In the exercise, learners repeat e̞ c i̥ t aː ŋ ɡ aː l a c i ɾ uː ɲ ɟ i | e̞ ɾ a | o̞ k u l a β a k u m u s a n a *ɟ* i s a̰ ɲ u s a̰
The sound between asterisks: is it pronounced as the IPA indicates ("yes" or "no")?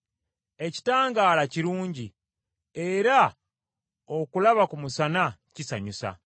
no